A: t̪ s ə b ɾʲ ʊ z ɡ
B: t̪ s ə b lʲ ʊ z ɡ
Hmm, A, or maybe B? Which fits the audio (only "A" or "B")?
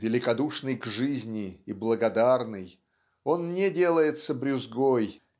A